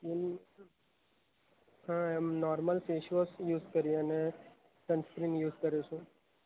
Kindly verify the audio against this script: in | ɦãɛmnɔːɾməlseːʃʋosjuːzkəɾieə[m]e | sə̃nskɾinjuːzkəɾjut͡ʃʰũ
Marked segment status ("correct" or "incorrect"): incorrect